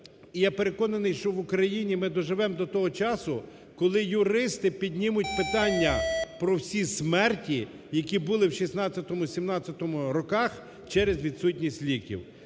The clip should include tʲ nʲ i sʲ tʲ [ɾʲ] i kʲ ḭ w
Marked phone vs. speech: incorrect: lʲ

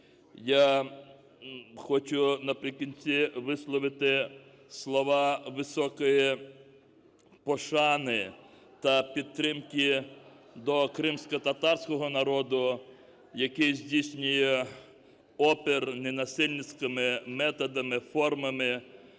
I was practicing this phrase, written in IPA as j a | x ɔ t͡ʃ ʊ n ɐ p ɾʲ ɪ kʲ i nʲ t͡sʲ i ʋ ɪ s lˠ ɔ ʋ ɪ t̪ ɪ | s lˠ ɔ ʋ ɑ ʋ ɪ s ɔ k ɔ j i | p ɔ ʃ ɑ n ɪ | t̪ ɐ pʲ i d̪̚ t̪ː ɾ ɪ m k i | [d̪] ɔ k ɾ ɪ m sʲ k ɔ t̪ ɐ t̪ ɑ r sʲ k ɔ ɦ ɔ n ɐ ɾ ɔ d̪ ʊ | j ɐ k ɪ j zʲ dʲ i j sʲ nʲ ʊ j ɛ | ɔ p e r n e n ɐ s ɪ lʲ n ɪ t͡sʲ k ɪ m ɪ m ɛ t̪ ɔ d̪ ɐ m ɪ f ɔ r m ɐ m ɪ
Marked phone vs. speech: correct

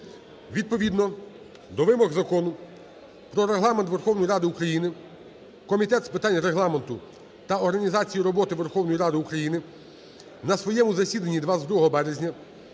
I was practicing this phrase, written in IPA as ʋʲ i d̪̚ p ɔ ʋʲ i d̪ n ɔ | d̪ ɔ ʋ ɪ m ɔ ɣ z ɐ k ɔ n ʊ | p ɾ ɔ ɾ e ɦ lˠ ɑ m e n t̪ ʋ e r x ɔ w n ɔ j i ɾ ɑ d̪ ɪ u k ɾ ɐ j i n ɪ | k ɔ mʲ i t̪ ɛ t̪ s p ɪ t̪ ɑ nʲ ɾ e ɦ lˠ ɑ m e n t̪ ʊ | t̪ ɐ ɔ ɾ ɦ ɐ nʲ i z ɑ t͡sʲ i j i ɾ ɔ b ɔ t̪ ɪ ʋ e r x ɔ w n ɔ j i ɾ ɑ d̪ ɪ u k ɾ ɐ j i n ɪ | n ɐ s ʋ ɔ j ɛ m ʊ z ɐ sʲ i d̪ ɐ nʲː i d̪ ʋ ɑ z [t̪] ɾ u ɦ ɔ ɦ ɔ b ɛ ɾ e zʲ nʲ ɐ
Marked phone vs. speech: incorrect: d̪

